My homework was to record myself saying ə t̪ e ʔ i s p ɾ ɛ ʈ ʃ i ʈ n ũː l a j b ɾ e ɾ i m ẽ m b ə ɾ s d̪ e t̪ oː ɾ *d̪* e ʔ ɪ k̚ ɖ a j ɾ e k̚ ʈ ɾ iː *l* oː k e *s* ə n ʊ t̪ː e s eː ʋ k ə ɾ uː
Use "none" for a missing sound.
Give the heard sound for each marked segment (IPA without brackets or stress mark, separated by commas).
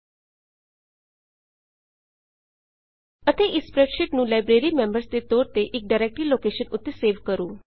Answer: t̪, l, ʃ